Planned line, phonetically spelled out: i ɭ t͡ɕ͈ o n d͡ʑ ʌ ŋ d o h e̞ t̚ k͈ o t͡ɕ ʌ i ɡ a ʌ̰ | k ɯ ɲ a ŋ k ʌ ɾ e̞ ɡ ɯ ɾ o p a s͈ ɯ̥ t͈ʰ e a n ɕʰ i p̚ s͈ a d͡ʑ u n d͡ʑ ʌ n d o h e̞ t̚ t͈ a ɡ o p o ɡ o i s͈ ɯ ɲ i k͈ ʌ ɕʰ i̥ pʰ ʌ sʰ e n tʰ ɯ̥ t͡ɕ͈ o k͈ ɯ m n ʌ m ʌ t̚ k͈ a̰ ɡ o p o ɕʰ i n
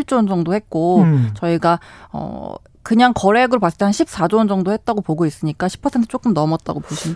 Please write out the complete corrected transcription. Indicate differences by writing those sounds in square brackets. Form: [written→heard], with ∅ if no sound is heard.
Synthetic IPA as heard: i ɭ t͡ɕ͈ o n d͡ʑ ʌ ŋ d o h e̞ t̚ k͈ o t͡ɕ ʌ i ɡ a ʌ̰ | k ɯ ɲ a ŋ k ʌ ɾ e̞ ɡ ɯ ɾ o p a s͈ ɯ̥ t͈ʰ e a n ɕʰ i p̚ s͈ a d͡ʑ [u→o] n d͡ʑ ʌ [n→ŋ] d o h e̞ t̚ t͈ a ɡ o p o ɡ o i s͈ ɯ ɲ i k͈ [ʌ→a] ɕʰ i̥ pʰ ʌ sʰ e n tʰ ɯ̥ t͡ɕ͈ o k͈ ɯ m n ʌ m ʌ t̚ [k͈→t͈] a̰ ɡ o p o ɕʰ i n